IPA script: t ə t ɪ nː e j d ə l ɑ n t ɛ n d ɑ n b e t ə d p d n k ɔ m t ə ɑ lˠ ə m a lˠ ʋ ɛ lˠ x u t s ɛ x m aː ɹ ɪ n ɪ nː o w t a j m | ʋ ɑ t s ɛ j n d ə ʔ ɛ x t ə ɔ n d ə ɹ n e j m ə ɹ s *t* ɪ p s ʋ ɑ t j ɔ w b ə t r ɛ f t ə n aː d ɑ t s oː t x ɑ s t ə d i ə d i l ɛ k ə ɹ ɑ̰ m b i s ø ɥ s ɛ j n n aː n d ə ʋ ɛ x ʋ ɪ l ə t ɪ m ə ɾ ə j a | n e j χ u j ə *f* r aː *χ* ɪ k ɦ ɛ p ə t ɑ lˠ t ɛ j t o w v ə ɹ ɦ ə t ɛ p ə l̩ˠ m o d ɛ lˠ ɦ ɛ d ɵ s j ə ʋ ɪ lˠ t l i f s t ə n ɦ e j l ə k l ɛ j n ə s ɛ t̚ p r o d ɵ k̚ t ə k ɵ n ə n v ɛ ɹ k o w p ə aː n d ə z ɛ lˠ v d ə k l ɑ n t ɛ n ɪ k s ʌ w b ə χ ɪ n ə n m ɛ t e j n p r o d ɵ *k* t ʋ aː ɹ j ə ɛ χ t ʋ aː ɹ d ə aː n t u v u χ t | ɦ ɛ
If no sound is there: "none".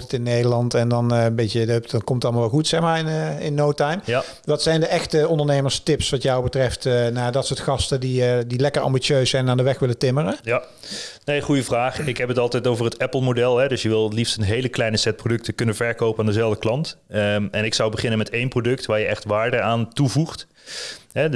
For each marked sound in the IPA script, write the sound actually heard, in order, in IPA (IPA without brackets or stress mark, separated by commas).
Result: t, v, χ, k